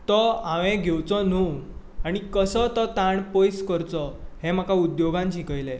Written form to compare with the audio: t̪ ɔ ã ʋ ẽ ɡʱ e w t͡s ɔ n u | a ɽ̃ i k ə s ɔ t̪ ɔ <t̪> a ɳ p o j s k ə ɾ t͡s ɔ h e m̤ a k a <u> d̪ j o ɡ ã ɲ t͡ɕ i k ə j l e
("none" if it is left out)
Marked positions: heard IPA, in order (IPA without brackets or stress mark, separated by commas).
t̪, u